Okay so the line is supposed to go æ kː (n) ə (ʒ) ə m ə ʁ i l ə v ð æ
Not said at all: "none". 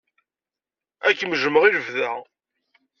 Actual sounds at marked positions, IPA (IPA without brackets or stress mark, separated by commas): m, ʒ